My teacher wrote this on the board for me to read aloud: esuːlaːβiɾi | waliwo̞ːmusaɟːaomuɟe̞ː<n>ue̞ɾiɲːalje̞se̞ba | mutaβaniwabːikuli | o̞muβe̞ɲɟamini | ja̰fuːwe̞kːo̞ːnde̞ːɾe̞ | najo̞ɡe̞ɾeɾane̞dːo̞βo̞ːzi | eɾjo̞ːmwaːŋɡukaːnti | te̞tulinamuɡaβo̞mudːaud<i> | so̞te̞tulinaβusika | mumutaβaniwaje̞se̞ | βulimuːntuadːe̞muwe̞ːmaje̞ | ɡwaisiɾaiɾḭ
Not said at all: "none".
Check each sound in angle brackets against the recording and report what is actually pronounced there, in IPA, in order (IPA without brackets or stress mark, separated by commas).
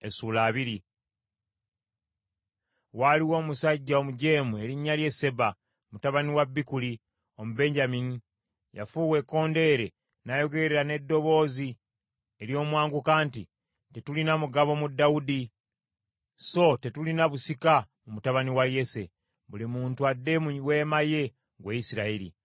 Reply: m, i